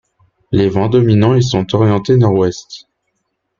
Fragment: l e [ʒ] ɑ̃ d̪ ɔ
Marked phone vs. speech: incorrect: v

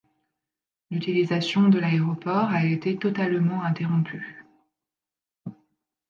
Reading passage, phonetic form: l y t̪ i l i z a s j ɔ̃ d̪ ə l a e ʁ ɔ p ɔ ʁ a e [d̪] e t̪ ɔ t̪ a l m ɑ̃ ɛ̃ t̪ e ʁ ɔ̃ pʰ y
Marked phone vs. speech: incorrect: t̪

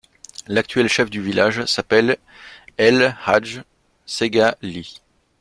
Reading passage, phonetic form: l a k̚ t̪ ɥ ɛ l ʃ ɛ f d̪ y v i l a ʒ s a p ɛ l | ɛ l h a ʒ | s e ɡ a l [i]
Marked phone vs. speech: correct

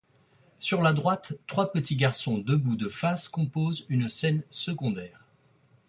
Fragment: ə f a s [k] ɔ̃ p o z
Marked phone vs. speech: correct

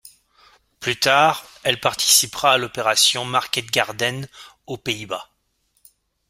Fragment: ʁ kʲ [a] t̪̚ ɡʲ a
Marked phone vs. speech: incorrect: ɛ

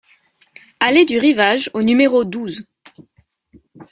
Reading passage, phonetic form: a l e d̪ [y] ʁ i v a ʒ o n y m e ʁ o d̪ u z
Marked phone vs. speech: correct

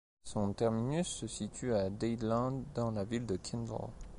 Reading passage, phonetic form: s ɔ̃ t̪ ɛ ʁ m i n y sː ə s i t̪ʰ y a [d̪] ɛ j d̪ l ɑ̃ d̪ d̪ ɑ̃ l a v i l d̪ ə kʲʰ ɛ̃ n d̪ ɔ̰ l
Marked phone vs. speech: correct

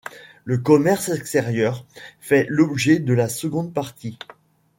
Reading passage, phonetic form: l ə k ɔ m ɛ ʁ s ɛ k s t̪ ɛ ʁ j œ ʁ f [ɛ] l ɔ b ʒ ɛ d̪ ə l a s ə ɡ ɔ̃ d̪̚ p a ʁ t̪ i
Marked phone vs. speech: correct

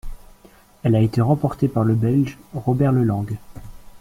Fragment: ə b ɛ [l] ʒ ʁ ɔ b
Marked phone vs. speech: correct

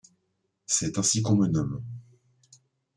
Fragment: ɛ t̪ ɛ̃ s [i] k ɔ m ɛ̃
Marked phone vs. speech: correct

